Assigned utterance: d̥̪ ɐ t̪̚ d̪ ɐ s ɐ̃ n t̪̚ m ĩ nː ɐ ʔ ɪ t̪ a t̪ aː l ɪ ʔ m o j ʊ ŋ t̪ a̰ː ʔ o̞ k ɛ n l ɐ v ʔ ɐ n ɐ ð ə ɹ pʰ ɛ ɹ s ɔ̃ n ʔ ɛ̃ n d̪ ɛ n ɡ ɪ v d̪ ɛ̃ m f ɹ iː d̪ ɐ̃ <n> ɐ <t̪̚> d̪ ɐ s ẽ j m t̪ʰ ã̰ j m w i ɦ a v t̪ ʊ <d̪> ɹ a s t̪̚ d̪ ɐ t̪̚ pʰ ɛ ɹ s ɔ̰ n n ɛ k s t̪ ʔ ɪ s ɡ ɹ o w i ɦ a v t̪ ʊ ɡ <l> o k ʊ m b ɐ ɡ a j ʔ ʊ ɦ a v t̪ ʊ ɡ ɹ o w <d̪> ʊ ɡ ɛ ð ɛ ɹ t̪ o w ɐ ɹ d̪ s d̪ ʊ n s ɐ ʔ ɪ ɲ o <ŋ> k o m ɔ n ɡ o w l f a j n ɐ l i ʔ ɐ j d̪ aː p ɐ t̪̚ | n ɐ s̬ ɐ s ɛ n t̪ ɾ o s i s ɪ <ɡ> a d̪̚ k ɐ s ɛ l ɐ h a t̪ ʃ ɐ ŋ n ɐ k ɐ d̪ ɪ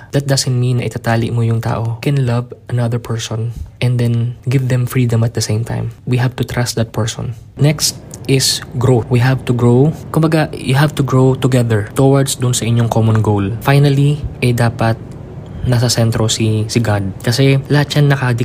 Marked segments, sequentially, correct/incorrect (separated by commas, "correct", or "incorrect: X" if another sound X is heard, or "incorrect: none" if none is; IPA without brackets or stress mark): incorrect: m, correct, incorrect: t̪, incorrect: ɹ, incorrect: t̪, correct, correct